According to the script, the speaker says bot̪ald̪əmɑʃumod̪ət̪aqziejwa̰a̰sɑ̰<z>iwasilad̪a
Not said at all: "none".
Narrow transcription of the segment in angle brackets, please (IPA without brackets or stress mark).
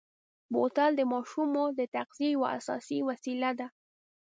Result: s